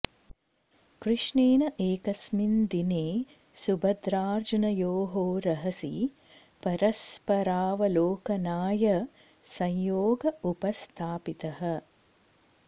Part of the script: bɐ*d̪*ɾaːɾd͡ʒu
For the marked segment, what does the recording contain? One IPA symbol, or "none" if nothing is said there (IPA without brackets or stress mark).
d̪